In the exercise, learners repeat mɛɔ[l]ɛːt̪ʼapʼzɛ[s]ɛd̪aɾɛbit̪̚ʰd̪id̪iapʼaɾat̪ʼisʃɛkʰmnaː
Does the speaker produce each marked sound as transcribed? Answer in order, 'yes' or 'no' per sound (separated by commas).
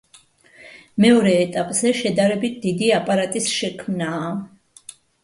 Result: no, no